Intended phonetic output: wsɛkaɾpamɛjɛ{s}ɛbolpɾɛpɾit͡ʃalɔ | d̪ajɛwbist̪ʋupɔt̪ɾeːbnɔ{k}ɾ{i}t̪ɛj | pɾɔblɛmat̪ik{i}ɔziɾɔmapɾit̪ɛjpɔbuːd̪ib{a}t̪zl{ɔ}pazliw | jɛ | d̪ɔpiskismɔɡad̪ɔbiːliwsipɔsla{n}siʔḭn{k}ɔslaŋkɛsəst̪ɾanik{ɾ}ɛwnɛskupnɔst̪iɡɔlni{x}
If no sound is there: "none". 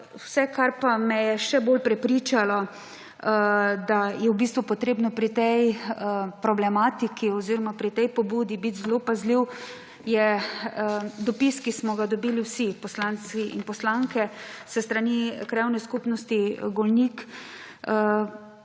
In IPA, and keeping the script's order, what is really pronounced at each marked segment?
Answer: ʃ, p, i, i, i, o, n, p, ɾ, k

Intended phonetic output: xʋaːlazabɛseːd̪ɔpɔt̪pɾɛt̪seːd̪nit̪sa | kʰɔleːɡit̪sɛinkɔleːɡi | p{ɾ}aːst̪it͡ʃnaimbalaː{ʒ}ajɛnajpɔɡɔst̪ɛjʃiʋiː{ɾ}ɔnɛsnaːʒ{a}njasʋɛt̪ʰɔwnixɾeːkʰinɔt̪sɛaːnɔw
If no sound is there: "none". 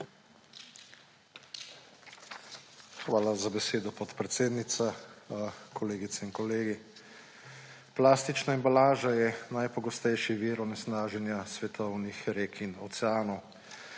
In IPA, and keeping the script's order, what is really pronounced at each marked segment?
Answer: l, ʒ, ɾ, ɛ

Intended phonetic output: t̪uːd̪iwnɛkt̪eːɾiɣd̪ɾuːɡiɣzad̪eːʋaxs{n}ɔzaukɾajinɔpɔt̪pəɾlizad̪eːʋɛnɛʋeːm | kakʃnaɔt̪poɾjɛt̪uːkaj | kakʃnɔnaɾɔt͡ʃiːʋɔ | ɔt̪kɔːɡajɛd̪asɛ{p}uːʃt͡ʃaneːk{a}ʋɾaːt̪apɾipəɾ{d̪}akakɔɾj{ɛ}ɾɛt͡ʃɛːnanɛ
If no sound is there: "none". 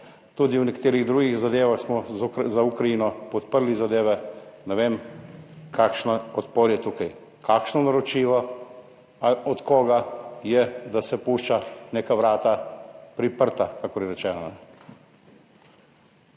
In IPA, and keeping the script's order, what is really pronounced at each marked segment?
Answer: m, p, a, t̪, ɛ

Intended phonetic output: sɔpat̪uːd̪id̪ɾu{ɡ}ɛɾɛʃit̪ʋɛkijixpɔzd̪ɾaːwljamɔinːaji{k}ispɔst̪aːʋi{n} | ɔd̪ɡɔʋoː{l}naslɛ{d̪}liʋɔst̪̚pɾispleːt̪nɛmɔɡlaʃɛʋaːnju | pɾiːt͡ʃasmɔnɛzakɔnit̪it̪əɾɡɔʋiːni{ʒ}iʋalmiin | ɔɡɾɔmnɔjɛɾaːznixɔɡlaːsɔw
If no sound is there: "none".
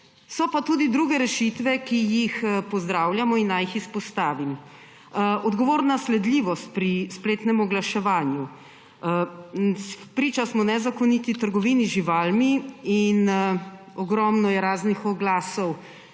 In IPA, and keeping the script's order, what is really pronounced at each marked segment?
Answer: ɡ, x, m, ɾ, d̪, ʒ

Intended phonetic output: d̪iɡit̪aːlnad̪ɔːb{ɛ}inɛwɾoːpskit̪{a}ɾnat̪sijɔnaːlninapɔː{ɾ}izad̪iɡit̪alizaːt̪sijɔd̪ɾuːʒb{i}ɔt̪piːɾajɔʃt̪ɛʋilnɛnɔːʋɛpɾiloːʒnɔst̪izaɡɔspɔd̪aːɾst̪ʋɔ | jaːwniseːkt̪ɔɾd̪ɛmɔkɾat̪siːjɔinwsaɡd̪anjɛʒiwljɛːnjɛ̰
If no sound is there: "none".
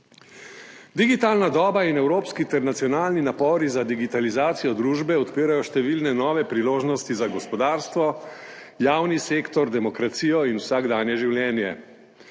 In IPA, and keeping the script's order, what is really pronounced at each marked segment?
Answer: a, ɛ, ɾ, ɛ

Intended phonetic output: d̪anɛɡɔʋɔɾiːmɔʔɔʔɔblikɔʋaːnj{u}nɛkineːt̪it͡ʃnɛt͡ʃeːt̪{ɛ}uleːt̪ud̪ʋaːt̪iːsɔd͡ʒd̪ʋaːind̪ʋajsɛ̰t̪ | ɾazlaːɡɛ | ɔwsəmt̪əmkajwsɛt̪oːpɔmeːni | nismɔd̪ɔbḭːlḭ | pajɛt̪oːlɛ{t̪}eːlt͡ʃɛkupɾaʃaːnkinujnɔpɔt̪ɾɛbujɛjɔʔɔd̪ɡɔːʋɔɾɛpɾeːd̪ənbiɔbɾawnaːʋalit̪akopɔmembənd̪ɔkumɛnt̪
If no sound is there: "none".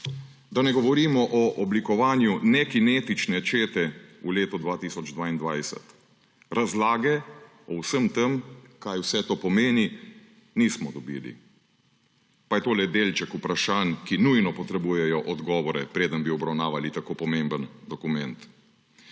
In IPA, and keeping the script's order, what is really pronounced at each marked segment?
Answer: u, ɛ, d̪

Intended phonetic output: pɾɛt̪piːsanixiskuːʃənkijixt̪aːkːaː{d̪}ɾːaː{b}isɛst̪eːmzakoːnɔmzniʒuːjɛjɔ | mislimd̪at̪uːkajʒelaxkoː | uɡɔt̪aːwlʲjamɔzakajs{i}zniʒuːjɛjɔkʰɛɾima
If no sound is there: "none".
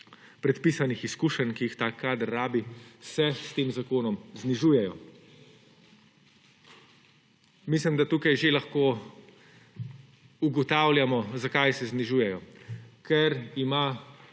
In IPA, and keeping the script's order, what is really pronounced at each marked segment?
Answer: d̪, b, ɛ

